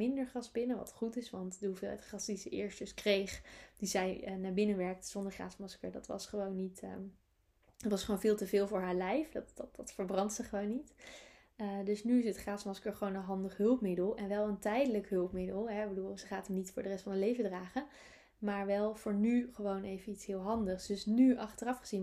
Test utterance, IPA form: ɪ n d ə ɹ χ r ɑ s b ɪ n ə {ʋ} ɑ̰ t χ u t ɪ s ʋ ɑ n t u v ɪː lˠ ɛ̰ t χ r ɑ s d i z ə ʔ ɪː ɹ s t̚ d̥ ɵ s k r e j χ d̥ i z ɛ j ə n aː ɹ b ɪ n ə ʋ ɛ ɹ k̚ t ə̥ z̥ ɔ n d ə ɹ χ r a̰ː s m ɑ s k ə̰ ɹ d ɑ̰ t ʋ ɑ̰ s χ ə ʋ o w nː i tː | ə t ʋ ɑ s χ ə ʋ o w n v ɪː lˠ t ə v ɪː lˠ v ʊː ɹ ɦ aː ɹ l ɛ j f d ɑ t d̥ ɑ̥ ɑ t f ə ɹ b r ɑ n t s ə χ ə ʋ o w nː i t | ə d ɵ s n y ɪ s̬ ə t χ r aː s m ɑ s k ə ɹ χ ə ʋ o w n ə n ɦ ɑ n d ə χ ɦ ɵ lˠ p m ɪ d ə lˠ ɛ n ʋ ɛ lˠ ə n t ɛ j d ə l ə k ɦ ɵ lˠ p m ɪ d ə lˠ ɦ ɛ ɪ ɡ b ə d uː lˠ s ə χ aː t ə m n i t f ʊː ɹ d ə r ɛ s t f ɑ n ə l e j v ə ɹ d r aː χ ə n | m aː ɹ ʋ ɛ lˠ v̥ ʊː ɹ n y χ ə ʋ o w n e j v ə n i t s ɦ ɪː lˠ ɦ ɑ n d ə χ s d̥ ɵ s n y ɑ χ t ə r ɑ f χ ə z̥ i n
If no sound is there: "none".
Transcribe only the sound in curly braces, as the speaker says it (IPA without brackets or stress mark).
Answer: ʋ